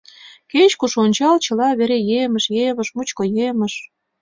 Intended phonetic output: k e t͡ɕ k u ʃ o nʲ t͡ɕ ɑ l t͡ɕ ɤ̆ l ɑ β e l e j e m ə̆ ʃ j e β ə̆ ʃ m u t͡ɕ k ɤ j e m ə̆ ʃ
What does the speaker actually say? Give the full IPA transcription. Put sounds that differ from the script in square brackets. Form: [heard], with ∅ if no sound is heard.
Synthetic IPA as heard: k e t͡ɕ k u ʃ o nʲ t͡ɕ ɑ l t͡ɕ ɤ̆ l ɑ β e [ɾ] e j e m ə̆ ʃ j e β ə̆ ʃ m u t͡ɕ k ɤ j e m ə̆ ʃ